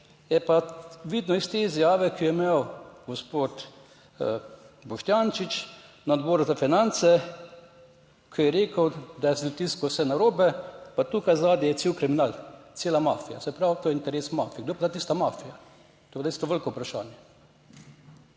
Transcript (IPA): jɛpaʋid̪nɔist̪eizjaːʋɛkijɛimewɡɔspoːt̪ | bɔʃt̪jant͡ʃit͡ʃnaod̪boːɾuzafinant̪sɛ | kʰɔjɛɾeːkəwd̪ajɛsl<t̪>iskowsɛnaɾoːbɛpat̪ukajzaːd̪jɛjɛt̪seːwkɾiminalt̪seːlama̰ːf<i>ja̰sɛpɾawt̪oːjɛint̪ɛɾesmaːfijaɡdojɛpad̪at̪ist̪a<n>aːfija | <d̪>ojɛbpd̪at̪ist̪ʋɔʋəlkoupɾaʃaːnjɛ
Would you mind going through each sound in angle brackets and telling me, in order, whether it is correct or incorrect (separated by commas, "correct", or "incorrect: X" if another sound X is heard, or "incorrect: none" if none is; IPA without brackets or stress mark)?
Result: correct, correct, incorrect: m, incorrect: t̪